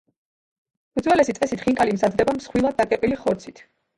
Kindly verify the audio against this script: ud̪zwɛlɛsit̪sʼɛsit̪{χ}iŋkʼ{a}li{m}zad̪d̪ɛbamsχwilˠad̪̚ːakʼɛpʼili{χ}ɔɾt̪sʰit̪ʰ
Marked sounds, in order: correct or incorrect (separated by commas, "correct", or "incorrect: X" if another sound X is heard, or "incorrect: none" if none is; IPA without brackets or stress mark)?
correct, correct, correct, correct